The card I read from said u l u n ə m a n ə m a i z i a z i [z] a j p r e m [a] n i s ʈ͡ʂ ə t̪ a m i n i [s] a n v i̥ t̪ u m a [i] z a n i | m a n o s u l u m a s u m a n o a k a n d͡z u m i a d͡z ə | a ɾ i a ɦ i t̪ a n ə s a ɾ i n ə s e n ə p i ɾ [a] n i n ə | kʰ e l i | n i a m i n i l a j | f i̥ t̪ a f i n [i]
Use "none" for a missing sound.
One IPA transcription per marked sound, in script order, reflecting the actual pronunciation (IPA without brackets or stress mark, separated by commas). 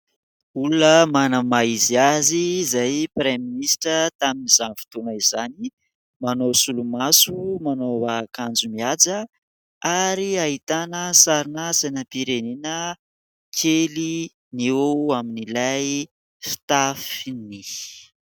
z, i, z, i, e, i